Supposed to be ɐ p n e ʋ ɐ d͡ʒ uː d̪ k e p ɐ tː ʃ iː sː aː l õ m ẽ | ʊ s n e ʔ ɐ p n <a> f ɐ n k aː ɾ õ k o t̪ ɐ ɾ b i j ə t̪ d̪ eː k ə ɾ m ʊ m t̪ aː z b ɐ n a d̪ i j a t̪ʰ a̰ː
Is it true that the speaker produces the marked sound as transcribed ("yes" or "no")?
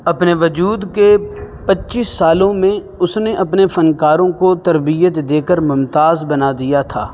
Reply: no